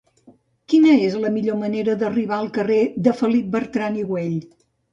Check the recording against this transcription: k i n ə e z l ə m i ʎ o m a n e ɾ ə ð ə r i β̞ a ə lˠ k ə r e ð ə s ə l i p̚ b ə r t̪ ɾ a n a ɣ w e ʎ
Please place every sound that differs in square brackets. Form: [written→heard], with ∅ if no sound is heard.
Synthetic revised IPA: k i n ə e z l ə m i ʎ o m [a→ə] n e ɾ ə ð ə r i β̞ a ə lˠ k ə r e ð ə [s→f] ə l i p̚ b ə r t̪ ɾ a n [a→i] ɣ w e ʎ